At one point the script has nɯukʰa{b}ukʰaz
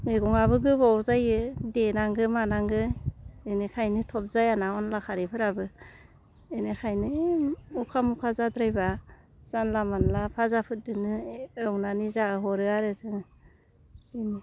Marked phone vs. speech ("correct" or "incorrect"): incorrect